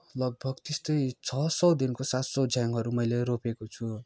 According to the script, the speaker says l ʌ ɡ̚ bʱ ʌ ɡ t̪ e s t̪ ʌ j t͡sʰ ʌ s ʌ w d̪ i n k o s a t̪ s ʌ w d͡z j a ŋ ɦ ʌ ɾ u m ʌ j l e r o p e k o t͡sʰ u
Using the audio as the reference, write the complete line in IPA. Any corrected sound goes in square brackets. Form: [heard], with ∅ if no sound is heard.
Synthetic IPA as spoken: l ʌ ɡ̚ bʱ ʌ ɡ t̪ e s t̪ ʌ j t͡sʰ ʌ s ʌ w d̪ i n k o s a t̪ s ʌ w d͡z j a ŋ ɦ ʌ ɾ u m ʌ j l e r o p e k o t͡sʰ u